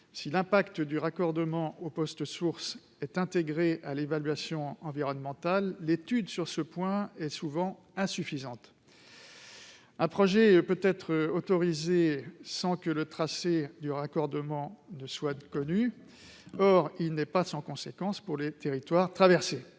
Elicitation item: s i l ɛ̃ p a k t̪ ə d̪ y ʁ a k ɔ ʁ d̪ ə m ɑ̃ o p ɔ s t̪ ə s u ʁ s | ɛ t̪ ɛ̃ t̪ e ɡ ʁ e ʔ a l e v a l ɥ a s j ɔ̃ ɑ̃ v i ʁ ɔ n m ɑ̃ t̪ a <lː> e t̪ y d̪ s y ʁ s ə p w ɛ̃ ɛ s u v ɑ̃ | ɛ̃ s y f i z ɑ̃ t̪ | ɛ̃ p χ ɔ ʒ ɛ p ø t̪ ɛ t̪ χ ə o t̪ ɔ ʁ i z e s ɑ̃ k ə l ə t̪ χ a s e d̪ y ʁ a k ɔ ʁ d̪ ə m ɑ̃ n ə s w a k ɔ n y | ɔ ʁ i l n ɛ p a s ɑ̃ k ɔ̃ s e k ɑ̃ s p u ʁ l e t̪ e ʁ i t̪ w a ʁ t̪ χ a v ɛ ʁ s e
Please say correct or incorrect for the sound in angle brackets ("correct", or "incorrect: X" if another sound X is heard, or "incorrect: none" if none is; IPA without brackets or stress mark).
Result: correct